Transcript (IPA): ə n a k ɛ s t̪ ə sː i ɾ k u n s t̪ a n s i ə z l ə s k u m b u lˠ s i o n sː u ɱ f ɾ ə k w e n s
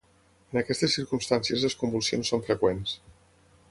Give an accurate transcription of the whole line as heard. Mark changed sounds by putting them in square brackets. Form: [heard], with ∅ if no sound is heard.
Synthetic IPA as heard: ə n [ə] k ɛ s t̪ ə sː i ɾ k u [m] s t̪ a n s i ə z l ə s k u m b u lˠ s i o n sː [o] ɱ f ɾ ə k w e n s

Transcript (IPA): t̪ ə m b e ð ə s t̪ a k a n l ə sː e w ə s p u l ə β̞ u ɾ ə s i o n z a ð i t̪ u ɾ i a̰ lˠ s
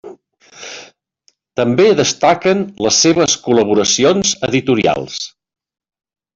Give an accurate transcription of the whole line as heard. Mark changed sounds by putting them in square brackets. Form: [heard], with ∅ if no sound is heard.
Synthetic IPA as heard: t̪ ə m b e ð ə s t̪ a k [ə] n l ə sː e [β] ə s [k] u l ə β̞ u ɾ ə s i o n z [ə] ð i t̪ u ɾ i a̰ lˠ s

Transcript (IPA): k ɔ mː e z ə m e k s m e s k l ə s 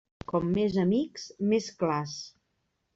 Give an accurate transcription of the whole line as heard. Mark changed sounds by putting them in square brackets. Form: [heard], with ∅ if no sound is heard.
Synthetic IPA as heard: k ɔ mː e z ə m [i] k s m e s k l [a] s

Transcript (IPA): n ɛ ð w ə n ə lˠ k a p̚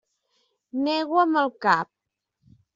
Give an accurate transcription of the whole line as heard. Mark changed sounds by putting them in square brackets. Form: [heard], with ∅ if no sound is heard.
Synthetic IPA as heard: n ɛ [ɣ] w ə [m] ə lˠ k a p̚

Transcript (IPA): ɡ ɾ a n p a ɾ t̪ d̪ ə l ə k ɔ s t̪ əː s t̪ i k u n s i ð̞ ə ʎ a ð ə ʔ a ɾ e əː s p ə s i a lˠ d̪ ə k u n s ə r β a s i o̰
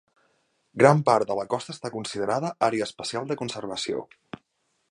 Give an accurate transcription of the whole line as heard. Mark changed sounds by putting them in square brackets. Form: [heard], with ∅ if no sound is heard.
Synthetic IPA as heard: ɡ ɾ a [m] p a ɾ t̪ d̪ ə l ə k ɔ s t̪ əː s t̪ [a] k u n s i ð̞ ə [ɾ] a ð ə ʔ a ɾ e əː s p ə s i a lˠ d̪ ə k u n s ə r β [ə] s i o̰

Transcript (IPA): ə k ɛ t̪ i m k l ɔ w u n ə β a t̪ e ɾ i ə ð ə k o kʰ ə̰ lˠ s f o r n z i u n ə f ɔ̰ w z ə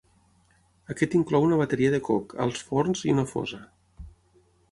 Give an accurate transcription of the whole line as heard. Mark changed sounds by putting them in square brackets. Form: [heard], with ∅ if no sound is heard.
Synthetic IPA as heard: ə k ɛ t̪ i [ŋ] k l ɔ w u n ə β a t̪ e ɾ i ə ð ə k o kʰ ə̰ lˠ s f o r n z i u n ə f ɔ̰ [∅] z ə

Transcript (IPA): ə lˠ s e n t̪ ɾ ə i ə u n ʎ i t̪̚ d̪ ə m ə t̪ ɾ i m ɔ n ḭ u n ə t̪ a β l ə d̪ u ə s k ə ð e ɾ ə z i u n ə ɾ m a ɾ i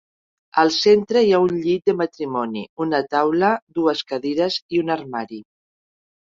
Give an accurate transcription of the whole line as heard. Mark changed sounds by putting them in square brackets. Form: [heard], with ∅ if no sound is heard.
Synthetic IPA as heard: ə lˠ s e n t̪ ɾ ə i [a] u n ʎ i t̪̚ d̪ ə m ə t̪ ɾ i m ɔ n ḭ u n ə t̪ a [w] l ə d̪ u ə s k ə ð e ɾ ə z i u n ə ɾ m a ɾ i

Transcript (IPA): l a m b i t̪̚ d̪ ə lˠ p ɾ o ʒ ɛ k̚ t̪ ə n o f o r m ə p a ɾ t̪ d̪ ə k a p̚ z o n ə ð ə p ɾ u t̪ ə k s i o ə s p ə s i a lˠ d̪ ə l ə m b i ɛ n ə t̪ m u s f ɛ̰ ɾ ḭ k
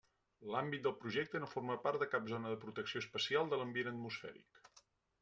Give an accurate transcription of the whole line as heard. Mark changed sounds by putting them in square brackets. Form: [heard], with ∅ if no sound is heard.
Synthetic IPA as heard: l a m b i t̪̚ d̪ ə lˠ p ɾ [u] ʒ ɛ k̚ t̪ ə n o f o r m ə p a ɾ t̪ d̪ ə k a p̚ z o n ə ð ə p ɾ u t̪ ə k s i o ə s p ə s i a lˠ d̪ ə l ə m b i [e] n ə t̪ m u s f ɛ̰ ɾ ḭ k

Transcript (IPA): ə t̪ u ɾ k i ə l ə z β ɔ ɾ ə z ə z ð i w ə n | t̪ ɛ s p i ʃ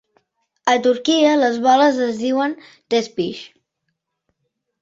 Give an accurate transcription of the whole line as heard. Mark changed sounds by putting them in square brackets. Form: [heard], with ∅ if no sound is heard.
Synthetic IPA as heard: ə t̪ u ɾ k i ə l ə z β ɔ [l] ə z ə z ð i w ə n | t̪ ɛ s p i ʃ

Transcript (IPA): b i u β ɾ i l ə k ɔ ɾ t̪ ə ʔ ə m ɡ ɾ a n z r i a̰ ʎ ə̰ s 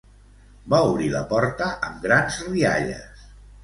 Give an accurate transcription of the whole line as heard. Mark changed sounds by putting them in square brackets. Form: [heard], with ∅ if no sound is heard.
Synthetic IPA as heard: b [a] u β ɾ i l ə [p] ɔ ɾ t̪ ə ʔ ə m ɡ ɾ a n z r i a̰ ʎ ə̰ s

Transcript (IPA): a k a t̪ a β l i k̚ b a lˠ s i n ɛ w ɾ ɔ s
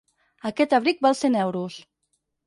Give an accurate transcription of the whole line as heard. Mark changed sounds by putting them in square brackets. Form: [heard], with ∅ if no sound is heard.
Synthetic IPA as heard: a k [ɛ] t̪ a β [ɾ] i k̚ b a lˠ s [e] n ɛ w ɾ [u] s

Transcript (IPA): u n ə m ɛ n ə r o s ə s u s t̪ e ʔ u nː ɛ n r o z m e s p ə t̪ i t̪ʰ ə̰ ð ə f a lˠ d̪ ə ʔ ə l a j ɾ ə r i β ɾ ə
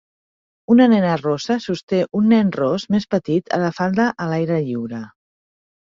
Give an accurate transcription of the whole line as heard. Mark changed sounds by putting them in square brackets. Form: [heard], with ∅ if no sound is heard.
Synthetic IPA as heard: u n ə [n] ɛ n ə r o s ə s u s t̪ e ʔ u nː ɛ n r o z m e s p ə t̪ i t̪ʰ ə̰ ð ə f a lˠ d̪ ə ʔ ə l a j ɾ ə [ʎ] i [w] ɾ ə

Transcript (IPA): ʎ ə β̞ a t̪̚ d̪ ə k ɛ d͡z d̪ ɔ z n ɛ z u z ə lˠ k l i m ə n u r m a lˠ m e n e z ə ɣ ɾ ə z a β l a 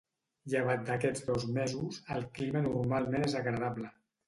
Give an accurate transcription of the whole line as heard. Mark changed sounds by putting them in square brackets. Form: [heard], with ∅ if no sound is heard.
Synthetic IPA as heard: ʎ ə β̞ a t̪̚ d̪ ə k ɛ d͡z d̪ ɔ z [m] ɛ z u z ə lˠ k l i m ə n u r m a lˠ m e n e z ə ɣ ɾ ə [ð] a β l [ə]

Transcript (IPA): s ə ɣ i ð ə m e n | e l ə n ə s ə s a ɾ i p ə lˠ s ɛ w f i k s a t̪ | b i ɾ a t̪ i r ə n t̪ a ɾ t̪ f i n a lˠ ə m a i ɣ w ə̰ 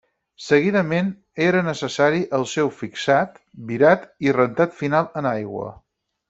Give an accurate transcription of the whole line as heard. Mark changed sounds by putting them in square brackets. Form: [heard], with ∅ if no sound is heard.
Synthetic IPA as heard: s ə ɣ i ð ə m e n | e [ɾ] ə n ə s ə s a ɾ i [ʔ] ə lˠ s ɛ w f i k s a t̪ | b i ɾ a t̪ i r ə n t̪ a [∅] t̪ f i n a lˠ ə [n] a [j] ɣ w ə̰

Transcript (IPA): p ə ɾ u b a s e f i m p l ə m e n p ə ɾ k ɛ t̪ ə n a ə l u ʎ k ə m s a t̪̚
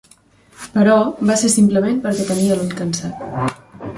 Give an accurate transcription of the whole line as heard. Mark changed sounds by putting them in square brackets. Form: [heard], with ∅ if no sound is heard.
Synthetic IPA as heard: p ə ɾ [ɔ] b a s e [s] i m p l ə m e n p ə ɾ k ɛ t̪ ə n [i] ə l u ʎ k ə [n] s a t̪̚

